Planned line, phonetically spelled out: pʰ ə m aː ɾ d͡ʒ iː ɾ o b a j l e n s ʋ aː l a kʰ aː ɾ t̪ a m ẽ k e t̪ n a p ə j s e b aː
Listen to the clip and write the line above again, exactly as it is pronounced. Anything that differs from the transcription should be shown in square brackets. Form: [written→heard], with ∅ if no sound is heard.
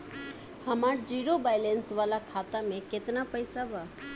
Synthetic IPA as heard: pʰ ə m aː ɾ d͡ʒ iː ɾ o b a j l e n s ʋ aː l a kʰ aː [ɾ→∅] t̪ a m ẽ k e t̪ n a p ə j s [e→a] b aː